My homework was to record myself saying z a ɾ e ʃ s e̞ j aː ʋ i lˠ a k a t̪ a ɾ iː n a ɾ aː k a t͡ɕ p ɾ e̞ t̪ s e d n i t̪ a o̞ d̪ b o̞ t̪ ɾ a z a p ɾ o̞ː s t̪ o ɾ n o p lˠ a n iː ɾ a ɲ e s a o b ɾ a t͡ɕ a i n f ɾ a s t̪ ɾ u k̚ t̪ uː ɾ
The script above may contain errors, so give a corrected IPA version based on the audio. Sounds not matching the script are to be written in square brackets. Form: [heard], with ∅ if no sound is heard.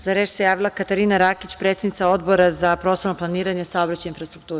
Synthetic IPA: z a ɾ e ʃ s e̞ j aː ʋ i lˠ a k a t̪ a ɾ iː n a ɾ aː k [i] t͡ɕ p ɾ e̞ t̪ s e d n i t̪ a o̞ d̪ b o̞ [∅] ɾ a z a p ɾ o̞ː s t̪ o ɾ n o p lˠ a n iː ɾ a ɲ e s a o b ɾ a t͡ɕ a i n f ɾ a s t̪ ɾ u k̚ t̪ uː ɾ